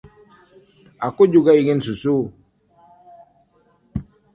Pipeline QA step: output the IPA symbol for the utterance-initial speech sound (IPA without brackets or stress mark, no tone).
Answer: a